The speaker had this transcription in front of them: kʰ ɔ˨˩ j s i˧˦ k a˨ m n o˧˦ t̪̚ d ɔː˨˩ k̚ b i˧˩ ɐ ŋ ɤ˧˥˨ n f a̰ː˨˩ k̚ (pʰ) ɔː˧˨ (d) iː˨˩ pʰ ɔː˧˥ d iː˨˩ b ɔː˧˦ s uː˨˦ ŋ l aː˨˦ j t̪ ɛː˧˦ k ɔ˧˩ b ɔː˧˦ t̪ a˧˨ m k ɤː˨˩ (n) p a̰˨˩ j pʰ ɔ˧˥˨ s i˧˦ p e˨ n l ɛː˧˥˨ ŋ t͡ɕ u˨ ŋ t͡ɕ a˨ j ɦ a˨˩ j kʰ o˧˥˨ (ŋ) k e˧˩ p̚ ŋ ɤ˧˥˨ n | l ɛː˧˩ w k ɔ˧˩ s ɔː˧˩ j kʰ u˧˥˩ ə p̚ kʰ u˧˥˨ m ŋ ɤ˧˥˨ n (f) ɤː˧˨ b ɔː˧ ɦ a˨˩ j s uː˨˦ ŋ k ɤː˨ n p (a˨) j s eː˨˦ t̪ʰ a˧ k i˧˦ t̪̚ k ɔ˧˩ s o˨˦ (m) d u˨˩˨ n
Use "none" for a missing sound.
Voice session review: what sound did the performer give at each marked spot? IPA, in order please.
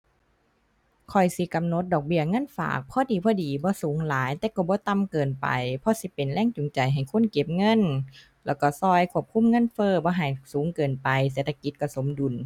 pʰ, d, n, n, f, a˨, m

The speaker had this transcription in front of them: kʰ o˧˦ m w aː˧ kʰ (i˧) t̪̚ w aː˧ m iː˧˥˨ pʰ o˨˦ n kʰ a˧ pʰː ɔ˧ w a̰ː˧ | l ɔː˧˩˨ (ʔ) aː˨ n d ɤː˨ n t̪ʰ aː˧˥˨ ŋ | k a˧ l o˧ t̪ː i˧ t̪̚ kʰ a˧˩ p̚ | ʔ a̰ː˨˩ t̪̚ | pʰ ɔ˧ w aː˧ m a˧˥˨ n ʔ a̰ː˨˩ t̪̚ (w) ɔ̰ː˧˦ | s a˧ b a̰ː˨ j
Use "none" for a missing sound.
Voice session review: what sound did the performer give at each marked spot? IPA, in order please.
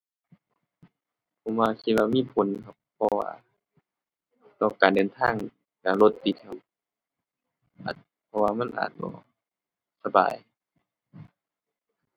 i˧, k, b

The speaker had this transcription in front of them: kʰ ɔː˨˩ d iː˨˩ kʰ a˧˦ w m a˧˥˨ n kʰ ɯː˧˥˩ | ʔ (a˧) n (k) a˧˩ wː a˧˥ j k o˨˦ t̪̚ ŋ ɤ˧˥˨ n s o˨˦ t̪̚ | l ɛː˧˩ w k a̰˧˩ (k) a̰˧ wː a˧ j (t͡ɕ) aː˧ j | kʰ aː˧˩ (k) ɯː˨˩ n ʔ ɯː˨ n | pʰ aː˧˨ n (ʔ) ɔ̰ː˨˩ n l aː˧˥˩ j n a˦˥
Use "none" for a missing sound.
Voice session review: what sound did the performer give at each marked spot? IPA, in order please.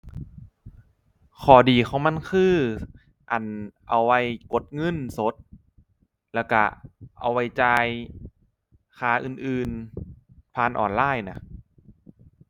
a˨˩, ʔ, ʔ, t͡ɕ, ʔ, ʔ

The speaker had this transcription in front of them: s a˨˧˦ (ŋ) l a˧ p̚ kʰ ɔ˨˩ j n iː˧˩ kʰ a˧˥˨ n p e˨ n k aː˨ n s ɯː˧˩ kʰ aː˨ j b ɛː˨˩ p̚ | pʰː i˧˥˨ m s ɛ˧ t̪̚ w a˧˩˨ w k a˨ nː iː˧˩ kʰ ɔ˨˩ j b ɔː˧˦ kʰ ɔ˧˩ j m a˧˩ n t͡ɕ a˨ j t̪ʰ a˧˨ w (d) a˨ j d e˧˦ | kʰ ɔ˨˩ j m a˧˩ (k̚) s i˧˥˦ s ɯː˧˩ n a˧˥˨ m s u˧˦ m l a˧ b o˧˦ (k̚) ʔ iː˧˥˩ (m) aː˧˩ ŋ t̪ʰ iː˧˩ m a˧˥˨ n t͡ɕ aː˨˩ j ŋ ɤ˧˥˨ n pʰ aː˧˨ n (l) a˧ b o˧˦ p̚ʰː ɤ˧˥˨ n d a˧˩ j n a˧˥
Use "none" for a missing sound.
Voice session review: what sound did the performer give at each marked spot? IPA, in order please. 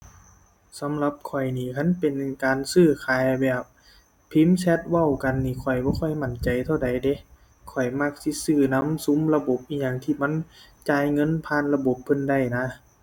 m, d, k̚, p̚, ɲ, l

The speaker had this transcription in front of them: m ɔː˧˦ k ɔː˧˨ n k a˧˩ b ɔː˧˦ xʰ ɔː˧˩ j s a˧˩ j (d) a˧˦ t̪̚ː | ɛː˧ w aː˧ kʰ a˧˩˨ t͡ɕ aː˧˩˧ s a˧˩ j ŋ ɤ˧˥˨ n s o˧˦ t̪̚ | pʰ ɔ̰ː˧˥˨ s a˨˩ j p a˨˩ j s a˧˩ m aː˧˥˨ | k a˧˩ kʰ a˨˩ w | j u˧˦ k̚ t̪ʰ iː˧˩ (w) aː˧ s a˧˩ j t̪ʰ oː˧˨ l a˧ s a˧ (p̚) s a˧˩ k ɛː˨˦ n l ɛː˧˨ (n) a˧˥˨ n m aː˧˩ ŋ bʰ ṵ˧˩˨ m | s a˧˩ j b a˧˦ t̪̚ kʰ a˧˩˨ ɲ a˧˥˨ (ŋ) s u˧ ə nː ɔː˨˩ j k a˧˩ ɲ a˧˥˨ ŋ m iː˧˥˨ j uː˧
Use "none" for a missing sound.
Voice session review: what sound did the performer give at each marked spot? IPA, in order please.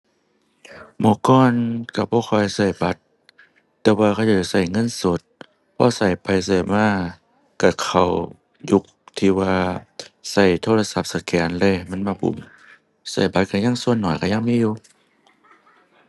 b, w, p̚, m, ŋ

